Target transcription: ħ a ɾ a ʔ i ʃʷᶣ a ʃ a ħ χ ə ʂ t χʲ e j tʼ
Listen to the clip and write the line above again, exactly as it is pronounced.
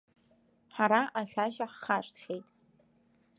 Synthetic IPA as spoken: ħ a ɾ a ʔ a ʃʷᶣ a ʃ a ħ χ a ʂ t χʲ e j tʼ